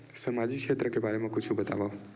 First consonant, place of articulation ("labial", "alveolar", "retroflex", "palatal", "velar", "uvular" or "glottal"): alveolar